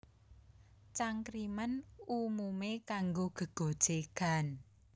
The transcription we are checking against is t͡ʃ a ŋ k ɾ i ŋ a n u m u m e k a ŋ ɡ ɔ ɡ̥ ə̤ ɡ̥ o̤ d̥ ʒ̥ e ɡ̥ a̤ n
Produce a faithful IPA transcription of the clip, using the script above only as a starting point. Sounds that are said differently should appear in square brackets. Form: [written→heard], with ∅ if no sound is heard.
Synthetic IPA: t͡ʃ a ŋ k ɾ i [ŋ→m] a n u m u m e k a ŋ ɡ [ɔ→o] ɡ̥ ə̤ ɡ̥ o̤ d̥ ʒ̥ e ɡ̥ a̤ n